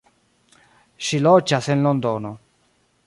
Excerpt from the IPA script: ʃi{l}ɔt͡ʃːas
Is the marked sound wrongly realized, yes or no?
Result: no